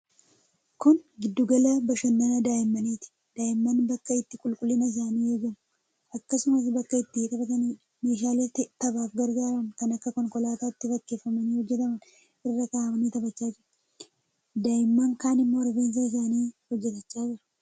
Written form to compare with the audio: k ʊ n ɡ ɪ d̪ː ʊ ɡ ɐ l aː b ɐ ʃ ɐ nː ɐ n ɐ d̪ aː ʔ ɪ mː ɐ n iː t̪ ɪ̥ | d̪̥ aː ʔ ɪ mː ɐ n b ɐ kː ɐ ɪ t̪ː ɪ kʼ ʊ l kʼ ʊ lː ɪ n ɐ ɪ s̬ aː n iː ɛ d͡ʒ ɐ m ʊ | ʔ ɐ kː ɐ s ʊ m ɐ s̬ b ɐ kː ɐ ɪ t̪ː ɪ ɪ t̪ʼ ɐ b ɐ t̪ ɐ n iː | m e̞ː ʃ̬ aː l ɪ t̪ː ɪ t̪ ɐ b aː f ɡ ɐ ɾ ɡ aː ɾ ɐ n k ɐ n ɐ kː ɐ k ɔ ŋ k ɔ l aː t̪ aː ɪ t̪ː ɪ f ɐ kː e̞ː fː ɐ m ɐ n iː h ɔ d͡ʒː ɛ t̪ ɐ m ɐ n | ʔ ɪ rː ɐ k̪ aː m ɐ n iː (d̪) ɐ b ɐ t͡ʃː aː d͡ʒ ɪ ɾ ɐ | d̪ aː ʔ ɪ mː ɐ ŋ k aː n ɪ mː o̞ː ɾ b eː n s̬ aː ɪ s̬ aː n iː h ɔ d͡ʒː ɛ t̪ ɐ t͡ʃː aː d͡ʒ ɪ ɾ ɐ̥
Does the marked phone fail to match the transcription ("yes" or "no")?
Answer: yes